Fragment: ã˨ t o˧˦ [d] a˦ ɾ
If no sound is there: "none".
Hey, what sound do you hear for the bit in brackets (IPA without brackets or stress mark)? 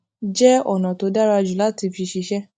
d